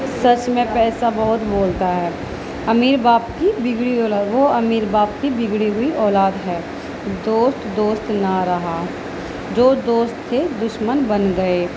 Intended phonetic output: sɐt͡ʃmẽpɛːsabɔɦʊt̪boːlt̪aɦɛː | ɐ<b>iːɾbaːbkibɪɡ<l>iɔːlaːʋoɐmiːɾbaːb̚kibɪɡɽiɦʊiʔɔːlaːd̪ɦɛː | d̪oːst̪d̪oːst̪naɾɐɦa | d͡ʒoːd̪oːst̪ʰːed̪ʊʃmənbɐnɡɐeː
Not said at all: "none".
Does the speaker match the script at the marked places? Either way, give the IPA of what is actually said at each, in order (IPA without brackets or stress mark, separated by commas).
m, ɽ